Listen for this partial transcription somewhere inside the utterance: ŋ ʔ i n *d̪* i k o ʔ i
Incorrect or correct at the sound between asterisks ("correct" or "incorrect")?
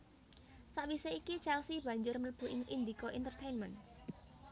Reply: correct